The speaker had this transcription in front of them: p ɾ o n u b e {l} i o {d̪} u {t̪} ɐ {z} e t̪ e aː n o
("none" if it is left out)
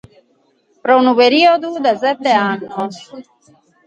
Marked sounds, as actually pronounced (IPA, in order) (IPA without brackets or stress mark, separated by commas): ɾ, d̪, d̪, z